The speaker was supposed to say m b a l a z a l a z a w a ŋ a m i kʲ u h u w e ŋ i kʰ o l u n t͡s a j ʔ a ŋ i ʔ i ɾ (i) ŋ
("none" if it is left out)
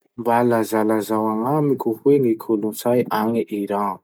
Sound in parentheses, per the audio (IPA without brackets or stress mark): a